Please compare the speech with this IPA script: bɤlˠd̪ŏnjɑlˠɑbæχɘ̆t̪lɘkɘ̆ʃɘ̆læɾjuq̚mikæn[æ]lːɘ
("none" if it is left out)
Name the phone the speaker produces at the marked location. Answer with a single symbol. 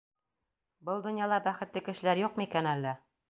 æ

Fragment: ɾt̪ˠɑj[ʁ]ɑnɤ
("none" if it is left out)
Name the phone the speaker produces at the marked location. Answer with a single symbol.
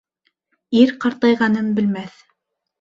ʁ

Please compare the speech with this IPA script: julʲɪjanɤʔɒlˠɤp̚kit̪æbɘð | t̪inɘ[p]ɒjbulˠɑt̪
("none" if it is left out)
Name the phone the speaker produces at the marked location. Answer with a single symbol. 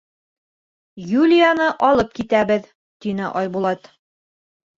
ʔ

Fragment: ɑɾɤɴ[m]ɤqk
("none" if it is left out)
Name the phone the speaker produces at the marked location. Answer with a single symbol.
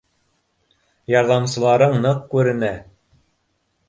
n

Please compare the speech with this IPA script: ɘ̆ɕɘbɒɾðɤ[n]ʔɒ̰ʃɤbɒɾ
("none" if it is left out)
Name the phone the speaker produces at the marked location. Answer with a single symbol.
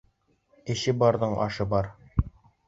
ɴ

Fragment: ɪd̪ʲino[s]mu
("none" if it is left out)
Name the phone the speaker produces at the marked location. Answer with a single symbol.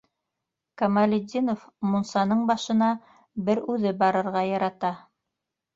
f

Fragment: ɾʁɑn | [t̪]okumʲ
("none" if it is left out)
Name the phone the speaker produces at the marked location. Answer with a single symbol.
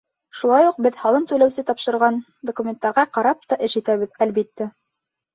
d̪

